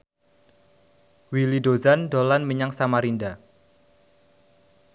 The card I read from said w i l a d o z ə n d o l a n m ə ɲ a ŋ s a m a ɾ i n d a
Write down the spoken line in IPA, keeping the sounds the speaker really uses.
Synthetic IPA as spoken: w i l i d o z a n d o l a n m ə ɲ a ŋ s a m a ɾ i n d a